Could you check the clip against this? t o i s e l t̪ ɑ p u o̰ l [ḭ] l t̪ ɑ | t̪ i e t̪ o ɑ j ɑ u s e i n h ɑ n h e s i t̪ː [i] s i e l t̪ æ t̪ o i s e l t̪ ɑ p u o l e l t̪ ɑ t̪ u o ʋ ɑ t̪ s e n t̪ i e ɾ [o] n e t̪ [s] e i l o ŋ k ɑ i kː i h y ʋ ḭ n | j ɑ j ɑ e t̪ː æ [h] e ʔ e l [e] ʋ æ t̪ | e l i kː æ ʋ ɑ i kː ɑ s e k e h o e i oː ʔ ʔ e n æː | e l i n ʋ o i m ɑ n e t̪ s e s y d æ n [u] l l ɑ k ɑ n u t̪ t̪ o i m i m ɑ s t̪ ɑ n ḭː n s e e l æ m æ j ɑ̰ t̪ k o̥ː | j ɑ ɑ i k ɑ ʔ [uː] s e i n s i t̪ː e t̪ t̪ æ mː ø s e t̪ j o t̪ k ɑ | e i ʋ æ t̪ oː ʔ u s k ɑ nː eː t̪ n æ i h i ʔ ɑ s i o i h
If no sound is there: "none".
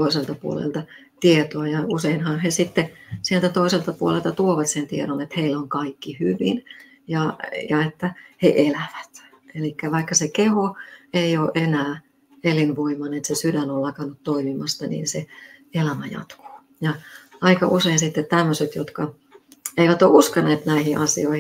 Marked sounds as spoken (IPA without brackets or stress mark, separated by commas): ḛ, e, o, h, h, æ, o, u